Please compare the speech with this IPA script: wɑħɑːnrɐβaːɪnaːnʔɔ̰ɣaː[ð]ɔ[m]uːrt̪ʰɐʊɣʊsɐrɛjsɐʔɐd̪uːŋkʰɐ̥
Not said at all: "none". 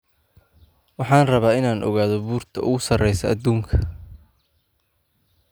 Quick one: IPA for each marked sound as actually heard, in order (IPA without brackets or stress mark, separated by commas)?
ð, b